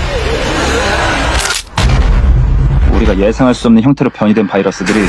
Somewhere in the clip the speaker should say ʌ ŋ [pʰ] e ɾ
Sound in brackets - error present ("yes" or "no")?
yes